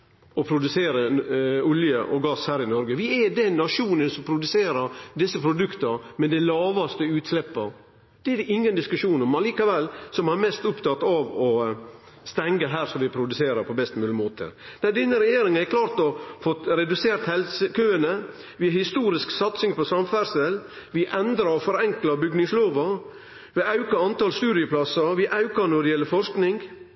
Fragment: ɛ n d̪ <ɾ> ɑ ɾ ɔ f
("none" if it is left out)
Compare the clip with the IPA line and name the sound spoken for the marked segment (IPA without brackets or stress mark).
ɾ